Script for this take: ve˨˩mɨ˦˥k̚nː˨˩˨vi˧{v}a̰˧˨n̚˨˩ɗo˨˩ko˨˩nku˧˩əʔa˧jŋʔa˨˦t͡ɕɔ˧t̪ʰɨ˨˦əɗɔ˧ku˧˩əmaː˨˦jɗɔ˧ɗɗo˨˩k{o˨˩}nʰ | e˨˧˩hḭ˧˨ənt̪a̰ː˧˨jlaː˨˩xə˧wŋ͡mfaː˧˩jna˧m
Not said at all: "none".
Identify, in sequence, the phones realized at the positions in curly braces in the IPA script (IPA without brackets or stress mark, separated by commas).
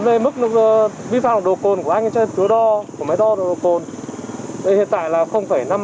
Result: f, o˨˩